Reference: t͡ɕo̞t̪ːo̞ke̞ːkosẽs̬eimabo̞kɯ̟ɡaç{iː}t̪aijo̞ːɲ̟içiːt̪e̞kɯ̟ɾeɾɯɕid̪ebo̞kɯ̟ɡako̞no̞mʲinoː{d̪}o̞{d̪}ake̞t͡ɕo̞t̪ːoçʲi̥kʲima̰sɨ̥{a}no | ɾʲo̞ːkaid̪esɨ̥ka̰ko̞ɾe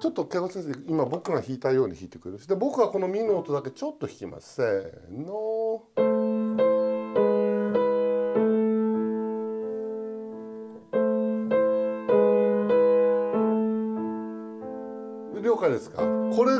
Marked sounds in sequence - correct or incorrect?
correct, incorrect: t̪, correct, incorrect: e

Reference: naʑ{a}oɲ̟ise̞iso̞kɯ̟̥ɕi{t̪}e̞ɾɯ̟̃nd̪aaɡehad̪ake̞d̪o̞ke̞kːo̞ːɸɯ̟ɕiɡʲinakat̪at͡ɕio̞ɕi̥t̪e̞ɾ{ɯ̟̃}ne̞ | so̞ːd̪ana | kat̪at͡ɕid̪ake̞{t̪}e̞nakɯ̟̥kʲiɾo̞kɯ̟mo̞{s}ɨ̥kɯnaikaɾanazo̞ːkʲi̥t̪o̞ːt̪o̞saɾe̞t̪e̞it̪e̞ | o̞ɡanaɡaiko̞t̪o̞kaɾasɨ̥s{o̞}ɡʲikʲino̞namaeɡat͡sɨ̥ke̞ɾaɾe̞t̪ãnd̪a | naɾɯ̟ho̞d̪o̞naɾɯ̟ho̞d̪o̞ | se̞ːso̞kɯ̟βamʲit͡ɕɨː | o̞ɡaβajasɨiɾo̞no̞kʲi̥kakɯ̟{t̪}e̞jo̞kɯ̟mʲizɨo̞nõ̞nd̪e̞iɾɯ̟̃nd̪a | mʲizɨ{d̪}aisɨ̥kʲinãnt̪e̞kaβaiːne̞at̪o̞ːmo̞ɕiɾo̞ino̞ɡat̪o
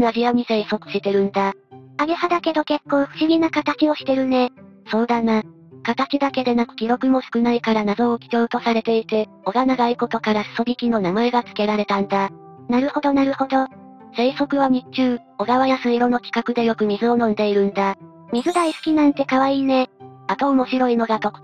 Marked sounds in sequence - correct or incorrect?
incorrect: i, correct, incorrect: ɯ̟, incorrect: d̪, correct, correct, incorrect: d̪, correct

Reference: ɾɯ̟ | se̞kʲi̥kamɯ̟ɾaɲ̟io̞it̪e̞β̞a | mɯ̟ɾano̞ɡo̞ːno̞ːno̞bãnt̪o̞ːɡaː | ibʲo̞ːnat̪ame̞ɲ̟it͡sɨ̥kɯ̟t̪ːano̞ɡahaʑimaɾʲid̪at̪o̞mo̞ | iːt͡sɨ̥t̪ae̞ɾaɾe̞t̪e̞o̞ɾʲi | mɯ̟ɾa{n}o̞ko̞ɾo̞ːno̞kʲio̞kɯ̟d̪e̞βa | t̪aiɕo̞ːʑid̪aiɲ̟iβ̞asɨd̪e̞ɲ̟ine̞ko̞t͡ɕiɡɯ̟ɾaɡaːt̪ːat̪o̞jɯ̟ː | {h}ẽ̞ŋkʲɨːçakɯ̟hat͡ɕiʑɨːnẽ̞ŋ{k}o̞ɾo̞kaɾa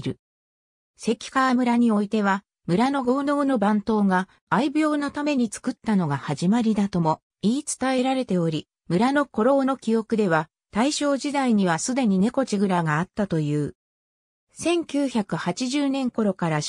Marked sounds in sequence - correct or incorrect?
correct, incorrect: s, correct

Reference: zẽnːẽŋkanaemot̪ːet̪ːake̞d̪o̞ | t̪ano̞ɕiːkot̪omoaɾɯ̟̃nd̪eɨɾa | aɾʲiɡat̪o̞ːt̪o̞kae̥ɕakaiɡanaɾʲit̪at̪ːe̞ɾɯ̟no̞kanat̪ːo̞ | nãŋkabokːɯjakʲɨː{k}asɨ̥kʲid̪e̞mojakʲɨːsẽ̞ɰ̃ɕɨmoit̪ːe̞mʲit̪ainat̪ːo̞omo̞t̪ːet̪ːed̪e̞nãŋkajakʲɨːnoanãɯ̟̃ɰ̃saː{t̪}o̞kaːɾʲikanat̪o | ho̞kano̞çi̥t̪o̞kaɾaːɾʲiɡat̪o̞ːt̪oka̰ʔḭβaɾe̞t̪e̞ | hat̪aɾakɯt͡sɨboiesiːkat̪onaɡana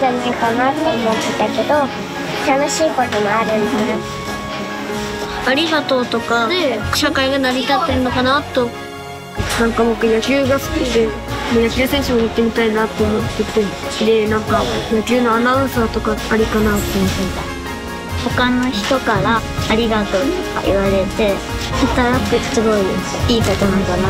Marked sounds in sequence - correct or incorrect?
incorrect: ɡ, correct

